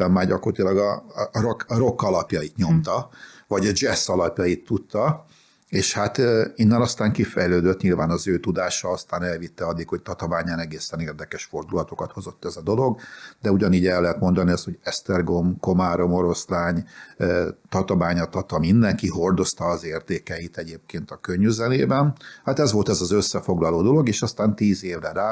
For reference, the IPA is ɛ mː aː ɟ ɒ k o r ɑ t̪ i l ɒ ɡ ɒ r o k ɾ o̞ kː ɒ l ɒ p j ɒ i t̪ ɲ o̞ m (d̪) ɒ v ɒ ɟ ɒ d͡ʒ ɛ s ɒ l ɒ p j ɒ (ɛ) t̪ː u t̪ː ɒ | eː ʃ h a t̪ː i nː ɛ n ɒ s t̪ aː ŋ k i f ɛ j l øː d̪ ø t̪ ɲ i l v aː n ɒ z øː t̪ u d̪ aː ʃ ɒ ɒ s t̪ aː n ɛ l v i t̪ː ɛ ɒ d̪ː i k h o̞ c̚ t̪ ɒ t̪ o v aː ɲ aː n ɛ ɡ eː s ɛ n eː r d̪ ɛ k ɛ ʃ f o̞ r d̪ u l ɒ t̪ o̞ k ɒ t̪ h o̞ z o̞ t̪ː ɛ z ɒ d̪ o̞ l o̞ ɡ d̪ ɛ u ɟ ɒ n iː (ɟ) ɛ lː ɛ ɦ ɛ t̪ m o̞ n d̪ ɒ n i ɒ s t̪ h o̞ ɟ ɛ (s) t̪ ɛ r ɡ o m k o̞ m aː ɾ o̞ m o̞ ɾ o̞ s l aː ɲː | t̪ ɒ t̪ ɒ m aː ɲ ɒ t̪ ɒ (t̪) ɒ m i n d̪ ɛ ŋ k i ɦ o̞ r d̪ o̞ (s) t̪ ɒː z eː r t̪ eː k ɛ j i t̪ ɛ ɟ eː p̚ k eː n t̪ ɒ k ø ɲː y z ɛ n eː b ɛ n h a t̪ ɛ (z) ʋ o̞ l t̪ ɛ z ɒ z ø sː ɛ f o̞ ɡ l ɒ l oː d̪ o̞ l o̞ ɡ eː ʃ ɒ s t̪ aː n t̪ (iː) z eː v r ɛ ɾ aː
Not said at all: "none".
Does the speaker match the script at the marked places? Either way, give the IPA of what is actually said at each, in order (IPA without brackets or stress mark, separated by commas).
t̪, i, ɟ, s, t̪, s, z, iː